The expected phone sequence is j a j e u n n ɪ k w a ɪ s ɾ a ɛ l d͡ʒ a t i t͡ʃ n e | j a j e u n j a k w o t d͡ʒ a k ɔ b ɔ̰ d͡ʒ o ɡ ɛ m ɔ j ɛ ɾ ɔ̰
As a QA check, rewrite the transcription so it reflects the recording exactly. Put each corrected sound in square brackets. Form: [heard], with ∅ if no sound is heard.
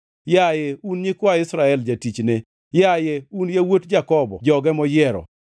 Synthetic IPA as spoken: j a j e u n [ɲ] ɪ k w a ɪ s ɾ a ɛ l d͡ʒ a t i t͡ʃ n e | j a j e u n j a [∅] w o t d͡ʒ a k ɔ b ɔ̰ d͡ʒ [ɔ] ɡ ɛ m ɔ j ɛ ɾ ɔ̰

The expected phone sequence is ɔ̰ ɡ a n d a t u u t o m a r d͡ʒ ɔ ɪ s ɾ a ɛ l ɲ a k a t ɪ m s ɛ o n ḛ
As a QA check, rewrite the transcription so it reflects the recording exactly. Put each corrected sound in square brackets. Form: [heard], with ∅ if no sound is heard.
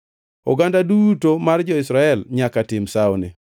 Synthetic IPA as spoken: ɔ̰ ɡ a n d a [d] u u t o m a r d͡ʒ ɔ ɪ s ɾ a ɛ l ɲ a k a t ɪ m s [a] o n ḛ

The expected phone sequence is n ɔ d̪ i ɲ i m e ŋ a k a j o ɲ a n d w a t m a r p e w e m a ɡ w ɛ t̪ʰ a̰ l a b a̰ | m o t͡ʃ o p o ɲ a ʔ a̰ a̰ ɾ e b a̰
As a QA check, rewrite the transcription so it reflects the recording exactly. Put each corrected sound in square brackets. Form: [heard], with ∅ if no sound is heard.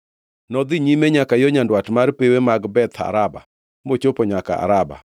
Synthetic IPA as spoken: n ɔ d̪ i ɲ i m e [ɲ] a k a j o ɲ a n d w a t m a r p e w e m a ɡ [b] ɛ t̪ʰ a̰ [ɾ] a b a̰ | m o t͡ʃ o p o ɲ a [k] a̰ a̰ ɾ [a] b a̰

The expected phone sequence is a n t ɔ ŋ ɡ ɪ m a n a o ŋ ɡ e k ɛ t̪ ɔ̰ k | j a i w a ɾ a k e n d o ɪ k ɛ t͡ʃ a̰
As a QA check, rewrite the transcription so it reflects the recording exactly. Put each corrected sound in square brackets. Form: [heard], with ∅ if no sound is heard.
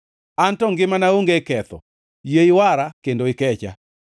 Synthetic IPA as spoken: a n t ɔ ŋ ɡ ɪ m a n a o ŋ ɡ e k ɛ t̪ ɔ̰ [∅] | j [e] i w a ɾ a k e n d o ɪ k ɛ t͡ʃ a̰

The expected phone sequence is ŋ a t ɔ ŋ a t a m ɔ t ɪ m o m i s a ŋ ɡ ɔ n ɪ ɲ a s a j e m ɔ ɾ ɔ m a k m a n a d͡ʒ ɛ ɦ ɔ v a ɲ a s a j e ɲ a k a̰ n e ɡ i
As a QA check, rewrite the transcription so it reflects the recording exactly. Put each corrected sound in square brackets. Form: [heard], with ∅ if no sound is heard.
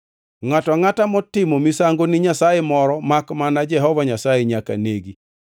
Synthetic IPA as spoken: ŋ a t ɔ ŋ a t a m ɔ t ɪ m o m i s a ŋ ɡ [o] n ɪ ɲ a s a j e m ɔ ɾ ɔ m a k m a n a d͡ʒ ɛ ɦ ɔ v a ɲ a s a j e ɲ a k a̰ n e ɡ i

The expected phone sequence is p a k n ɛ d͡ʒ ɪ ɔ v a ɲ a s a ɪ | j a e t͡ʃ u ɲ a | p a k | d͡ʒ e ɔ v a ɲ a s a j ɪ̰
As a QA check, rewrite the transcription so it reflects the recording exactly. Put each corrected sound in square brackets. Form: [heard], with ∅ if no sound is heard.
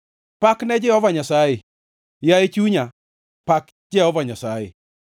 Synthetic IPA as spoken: p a k n ɛ d͡ʒ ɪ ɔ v a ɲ a s a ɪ | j a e t͡ʃ u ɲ a | p a k | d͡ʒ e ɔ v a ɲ a s a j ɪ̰

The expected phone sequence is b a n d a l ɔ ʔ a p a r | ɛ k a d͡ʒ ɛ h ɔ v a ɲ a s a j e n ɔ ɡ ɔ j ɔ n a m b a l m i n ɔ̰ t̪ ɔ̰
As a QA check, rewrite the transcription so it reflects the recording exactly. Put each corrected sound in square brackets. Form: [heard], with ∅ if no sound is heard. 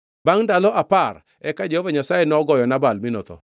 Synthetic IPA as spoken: b a [ŋ] d a l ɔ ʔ a p a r | ɛ k a d͡ʒ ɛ h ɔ v a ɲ a s a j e n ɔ ɡ ɔ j ɔ n a [∅] b a l m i n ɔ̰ t̪ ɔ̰

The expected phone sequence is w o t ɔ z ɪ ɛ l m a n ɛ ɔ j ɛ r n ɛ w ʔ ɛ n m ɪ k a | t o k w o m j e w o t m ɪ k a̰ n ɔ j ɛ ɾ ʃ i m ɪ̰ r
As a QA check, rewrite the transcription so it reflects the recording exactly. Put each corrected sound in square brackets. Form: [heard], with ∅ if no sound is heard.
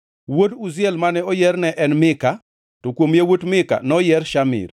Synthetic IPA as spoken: w o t [u] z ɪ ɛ l m a n ɛ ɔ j ɛ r n ɛ [∅] ʔ ɛ n m ɪ k a | t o k w o m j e w o t m ɪ k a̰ n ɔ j ɛ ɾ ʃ [a] m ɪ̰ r

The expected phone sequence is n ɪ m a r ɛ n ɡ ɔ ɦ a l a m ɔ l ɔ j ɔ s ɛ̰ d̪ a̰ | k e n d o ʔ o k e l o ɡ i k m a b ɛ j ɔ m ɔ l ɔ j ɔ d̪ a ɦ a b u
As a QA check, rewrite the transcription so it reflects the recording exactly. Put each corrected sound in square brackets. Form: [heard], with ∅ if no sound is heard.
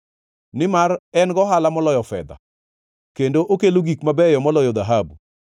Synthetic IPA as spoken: n ɪ m a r ɛ n ɡ ɔ ɦ a l a m ɔ l ɔ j ɔ [f] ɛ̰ d̪ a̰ | k e n d o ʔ o k e l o ɡ i k m a b ɛ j ɔ m ɔ l ɔ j ɔ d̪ a ɦ a b u

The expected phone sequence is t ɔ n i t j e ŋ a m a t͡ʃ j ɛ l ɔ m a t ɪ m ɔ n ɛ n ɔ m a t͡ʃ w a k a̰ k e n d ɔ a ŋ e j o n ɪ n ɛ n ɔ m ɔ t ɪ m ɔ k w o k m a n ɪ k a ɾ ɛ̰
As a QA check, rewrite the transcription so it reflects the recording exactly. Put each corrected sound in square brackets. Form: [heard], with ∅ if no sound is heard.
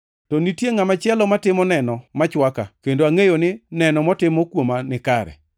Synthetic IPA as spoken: t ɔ n i t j e ŋ a m a t͡ʃ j ɛ l ɔ m a t ɪ m ɔ n ɛ n ɔ m a t͡ʃ w a k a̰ k e n d [o] a ŋ e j o n ɪ n ɛ n ɔ m ɔ t ɪ m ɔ k w o [∅] m a n ɪ k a ɾ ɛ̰

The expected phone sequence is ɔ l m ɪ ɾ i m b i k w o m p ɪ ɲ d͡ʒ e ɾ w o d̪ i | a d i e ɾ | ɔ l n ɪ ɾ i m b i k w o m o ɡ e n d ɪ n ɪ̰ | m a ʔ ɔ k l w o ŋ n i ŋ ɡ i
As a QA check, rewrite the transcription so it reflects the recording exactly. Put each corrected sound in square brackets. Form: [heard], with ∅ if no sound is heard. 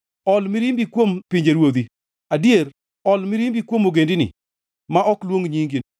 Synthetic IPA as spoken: ɔ l m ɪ ɾ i m b i k w o m p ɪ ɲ d͡ʒ e ɾ w o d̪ i | a d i e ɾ | ɔ l [m] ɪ ɾ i m b i k w o m o ɡ e n d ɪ n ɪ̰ | m a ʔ ɔ k l w o ŋ [ɲ] i ŋ ɡ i

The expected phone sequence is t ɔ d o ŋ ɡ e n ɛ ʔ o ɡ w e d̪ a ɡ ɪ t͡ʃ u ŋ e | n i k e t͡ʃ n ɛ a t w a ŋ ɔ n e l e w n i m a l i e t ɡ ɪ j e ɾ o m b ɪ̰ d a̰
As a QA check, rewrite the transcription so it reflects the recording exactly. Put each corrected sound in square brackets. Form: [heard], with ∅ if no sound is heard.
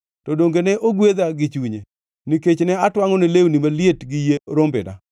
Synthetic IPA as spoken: t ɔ d o ŋ ɡ e n ɛ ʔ o ɡ w e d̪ a ɡ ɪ t͡ʃ u [ɲ] e | n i k e t͡ʃ n ɛ a t w a ŋ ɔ n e l e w n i m a l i e t ɡ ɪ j e ɾ o m b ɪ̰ d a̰

